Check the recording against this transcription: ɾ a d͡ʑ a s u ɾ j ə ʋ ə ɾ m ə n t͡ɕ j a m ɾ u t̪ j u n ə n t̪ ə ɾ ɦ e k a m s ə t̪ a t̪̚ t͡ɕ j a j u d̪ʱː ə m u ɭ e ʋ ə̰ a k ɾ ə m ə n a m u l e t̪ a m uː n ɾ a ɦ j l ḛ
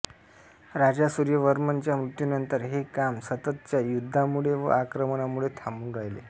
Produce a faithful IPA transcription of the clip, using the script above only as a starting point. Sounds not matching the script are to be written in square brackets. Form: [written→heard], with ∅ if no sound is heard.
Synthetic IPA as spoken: ɾ a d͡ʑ a s u ɾ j ə ʋ ə ɾ m ə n t͡ɕ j a m ɾ u t̪ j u n ə n t̪ ə ɾ ɦ e k a m s ə t̪ [a→ə] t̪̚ t͡ɕ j a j u d̪ʱː [ə→a] m u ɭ e ʋ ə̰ a k ɾ ə m ə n a m u [l→ɭ] e [t̪→t̪ʰ] a m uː n ɾ a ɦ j l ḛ

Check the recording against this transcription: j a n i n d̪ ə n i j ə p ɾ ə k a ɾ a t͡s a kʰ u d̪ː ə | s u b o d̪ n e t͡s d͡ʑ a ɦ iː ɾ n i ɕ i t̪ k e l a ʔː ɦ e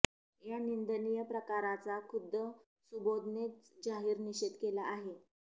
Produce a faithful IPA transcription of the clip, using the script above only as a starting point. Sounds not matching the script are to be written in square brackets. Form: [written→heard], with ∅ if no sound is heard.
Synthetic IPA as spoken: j a n i n d̪ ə n i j ə p ɾ ə k a ɾ a t͡s a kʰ u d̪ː ə | s u b o d̪ n e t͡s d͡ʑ a ɦ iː ɾ n i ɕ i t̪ k e l a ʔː ɦ e

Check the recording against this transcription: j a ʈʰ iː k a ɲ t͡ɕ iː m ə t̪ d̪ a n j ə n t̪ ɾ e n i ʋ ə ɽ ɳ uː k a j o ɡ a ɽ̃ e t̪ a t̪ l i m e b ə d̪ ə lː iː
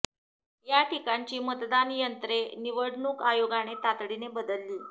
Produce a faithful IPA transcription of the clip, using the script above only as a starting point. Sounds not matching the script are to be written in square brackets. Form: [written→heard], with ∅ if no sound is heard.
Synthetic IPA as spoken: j a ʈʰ [iː→i] k a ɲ t͡ɕ iː m ə t̪ d̪ a n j ə n t̪ ɾ e n i ʋ ə ɽ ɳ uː k a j o ɡ a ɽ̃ e t̪ a t̪ [l→ɽ] i [m→n] e b ə d̪ ə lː iː

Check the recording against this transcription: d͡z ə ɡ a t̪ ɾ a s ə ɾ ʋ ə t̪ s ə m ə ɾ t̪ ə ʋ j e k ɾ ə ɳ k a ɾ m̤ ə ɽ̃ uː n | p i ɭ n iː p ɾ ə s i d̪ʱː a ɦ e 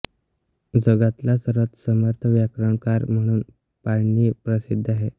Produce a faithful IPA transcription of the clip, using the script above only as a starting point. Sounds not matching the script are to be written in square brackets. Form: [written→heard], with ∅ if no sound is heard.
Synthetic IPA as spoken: d͡z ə ɡ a t̪ [ɾ→l] a s ə ɾ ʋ ə t̪ s ə m ə ɾ [t̪→t̪ʰ] ə ʋ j [e→a] k ɾ ə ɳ k a ɾ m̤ ə ɽ̃ uː n | p [i→a] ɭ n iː p ɾ ə s i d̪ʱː a ɦ e

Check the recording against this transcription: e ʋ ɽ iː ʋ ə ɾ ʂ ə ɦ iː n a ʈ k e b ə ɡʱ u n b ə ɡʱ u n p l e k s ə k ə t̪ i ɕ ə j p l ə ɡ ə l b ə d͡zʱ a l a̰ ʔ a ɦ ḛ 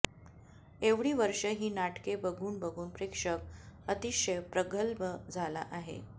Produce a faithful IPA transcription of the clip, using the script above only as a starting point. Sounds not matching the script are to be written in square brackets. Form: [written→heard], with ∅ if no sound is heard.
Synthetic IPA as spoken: e ʋ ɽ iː ʋ ə ɾ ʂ ə ɦ iː n a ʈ k e b ə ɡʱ [u→uː] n b ə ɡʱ [u→uː] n p [l→ɾ] e k [s→ʂ] ə k ə t̪ i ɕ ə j p [l→ɾ] ə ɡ ə l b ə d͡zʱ a l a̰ ʔ a ɦ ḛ

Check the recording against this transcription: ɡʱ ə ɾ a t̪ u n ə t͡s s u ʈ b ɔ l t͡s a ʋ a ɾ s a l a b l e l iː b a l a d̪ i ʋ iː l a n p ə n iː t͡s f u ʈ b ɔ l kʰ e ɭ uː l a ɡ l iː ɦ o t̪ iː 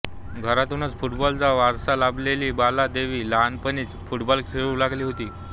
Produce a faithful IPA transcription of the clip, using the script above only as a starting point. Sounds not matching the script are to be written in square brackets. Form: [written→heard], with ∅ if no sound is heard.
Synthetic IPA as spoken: ɡʱ ə ɾ a t̪ u n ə t͡s [s→f] u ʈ b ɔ l t͡s a ʋ a ɾ s a l a b l e l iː b a l a d̪ [i→e] ʋ iː l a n p ə n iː t͡s f u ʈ b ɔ l kʰ e ɭ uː l a ɡ l iː ɦ o t̪ iː

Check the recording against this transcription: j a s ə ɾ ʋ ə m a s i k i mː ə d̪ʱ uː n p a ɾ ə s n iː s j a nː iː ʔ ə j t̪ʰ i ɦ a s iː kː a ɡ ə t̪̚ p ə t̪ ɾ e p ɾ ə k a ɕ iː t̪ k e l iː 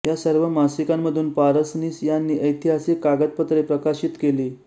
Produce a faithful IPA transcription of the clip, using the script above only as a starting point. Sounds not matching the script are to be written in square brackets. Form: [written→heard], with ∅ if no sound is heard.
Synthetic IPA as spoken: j a s ə ɾ ʋ ə m a s i k [i→a] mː ə d̪ʱ uː n p a ɾ ə s n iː s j a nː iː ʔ ə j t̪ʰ i ɦ a s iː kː a ɡ ə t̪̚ p ə t̪ ɾ e p ɾ ə k a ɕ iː t̪ k e l iː

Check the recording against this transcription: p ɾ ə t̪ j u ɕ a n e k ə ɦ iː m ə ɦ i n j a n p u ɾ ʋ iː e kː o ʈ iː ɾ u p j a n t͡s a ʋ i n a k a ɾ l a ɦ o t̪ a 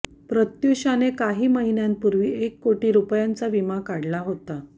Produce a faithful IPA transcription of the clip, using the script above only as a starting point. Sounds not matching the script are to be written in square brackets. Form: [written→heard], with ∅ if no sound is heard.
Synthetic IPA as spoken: p ɾ ə t̪ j u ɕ a n e k [ə→a] ɦ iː m ə ɦ i n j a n p u ɾ ʋ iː e kː o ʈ iː ɾ u p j a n t͡s a ʋ i [n→m] a k a [ɾ→ɽ] l a ɦ o t̪ a

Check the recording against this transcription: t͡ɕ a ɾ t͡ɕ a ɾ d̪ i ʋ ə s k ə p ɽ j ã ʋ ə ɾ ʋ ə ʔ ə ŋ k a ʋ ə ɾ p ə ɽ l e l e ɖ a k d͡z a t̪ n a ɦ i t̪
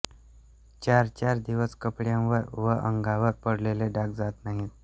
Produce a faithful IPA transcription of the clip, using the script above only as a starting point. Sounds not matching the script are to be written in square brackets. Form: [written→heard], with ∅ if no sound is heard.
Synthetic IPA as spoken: t͡ɕ a ɾ t͡ɕ a ɾ d̪ i ʋ ə s k ə p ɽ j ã ʋ ə ɾ ʋ ə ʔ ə ŋ [k→ɡ] a ʋ ə ɾ p ə ɽ l e l e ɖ a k d͡z a t̪ n a ɦ i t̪

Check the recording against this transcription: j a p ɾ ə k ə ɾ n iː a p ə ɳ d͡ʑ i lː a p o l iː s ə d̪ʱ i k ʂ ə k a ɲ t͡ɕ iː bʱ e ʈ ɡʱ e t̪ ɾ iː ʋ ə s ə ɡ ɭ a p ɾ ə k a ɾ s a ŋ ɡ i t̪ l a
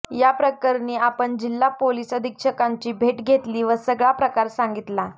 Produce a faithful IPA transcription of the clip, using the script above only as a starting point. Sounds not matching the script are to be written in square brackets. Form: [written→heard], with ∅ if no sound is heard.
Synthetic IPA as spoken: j a p ɾ ə k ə ɾ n iː a p ə ɳ d͡ʑ i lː a p o l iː s ə d̪ʱ i k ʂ ə k a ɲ t͡ɕ iː bʱ e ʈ ɡʱ e t̪ [ɾ→l] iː ʋ ə s ə ɡ ɭ a p ɾ ə k a ɾ s a ŋ ɡ i t̪ l a

